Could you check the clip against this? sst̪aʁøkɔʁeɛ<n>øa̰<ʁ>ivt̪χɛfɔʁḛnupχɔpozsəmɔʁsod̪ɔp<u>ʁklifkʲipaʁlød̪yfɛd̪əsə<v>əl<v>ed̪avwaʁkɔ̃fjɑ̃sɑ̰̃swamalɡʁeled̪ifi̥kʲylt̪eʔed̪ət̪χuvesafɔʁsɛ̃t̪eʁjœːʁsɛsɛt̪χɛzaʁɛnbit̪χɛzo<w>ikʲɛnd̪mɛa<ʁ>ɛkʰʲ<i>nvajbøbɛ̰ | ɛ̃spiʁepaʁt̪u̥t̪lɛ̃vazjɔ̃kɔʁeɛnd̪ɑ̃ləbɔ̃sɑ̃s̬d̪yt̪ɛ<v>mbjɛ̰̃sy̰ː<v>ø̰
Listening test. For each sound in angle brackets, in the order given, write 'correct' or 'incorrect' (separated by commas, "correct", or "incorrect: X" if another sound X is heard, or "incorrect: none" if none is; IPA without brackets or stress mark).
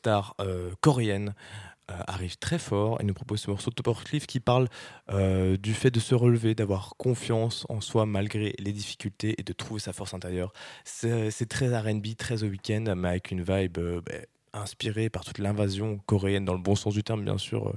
correct, correct, incorrect: ɔ, incorrect: ʁ, correct, correct, incorrect: v, incorrect: y, incorrect: ʁ, incorrect: ʁ